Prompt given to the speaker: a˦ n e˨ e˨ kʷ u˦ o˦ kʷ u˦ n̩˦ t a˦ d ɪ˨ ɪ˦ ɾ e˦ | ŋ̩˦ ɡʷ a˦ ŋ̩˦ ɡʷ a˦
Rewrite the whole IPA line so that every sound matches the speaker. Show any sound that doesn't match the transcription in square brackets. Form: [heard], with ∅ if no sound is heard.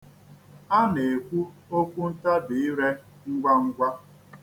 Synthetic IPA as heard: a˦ n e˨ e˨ kʷ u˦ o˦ kʷ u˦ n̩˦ t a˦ d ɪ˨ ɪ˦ ɾ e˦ | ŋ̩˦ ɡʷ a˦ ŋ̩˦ ɡʷ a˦